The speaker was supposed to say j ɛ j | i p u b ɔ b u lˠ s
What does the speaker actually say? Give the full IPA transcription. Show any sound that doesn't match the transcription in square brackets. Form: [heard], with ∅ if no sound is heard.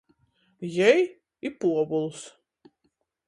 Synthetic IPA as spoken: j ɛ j | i p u [∅] ɔ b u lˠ s